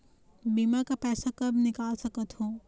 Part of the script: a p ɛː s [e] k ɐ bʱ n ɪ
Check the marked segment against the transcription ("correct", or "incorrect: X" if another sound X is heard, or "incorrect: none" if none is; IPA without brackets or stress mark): incorrect: a